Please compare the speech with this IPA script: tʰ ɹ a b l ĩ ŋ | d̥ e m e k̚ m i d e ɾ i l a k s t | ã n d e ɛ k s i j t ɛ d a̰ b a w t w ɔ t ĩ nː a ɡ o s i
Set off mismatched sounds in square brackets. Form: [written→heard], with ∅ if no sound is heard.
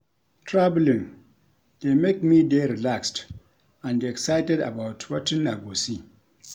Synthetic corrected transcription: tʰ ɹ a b l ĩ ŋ | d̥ e m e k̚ m i d e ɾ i l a k s t | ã n d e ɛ k s [i→a] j t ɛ d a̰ b a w t w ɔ t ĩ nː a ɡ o s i